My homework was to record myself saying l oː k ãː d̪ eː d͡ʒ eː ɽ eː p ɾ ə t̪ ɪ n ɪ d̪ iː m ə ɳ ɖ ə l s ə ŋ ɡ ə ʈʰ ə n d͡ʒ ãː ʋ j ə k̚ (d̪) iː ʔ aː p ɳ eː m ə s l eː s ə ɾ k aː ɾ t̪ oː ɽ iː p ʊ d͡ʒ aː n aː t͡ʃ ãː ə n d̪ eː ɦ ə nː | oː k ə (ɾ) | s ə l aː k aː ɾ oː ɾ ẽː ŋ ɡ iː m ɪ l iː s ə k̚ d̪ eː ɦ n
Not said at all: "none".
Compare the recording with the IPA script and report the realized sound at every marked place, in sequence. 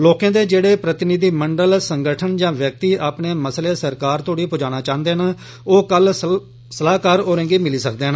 t̪, l

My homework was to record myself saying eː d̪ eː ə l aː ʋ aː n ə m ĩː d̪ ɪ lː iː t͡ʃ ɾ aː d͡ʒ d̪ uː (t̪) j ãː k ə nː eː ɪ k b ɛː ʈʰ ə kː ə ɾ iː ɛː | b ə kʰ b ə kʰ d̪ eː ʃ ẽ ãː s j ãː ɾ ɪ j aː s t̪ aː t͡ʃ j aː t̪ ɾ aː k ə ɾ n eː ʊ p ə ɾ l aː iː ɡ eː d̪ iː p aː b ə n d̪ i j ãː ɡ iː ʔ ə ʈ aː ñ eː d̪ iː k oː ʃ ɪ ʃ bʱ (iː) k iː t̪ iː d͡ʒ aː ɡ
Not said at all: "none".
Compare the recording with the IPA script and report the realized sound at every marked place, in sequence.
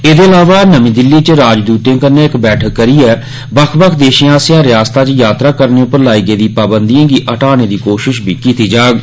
t̪, iː

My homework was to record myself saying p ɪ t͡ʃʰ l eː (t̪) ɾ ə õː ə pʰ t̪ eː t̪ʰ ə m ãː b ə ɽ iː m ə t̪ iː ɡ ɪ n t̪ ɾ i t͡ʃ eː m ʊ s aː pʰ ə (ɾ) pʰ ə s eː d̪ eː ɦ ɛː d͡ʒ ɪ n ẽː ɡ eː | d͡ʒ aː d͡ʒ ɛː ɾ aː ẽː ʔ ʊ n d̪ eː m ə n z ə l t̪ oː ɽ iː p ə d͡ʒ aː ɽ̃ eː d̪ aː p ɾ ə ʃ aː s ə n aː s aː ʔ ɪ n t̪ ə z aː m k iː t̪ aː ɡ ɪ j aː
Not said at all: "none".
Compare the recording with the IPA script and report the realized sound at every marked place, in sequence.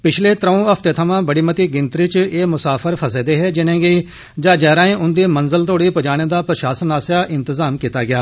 t̪, ɾ

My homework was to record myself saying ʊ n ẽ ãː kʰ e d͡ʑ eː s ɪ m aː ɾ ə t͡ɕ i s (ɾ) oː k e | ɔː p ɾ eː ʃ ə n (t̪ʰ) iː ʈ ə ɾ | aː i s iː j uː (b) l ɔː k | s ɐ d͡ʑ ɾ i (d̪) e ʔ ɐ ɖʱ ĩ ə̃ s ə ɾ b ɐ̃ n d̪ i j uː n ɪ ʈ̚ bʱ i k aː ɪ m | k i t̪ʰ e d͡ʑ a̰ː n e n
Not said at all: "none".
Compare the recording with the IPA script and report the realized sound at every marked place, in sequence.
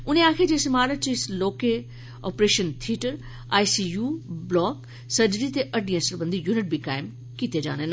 l, t̪ʰ, b, t̪

